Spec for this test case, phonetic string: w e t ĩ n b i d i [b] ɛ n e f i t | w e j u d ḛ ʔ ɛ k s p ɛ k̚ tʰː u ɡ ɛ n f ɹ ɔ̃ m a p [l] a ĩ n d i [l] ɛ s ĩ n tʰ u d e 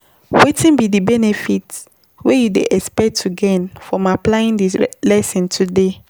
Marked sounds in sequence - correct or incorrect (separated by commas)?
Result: correct, correct, correct